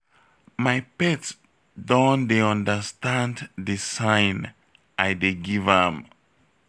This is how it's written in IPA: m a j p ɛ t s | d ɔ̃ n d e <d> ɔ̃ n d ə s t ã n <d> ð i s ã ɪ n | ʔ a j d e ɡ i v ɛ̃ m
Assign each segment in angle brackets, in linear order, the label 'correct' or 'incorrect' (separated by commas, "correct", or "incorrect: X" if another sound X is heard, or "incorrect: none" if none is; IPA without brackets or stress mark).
incorrect: none, correct